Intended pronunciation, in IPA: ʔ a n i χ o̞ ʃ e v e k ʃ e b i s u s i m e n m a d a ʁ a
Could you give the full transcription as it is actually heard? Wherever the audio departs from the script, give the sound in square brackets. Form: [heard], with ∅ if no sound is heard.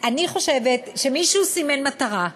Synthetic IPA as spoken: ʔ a n i χ o̞ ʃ e v e [t] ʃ e [m] i [ʃ] u s i m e n m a [t] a ʁ a